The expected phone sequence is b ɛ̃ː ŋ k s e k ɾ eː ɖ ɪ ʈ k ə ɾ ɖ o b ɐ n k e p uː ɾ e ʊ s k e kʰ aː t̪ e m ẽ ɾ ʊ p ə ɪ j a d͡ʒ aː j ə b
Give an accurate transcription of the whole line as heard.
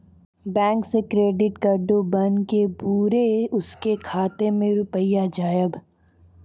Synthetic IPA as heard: b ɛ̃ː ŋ k s e k ɾ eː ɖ ɪ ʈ k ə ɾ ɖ o b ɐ n k e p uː ɾ e ʊ s k e kʰ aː t̪ e m ẽ ɾ ʊ p ə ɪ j a d͡ʒ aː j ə b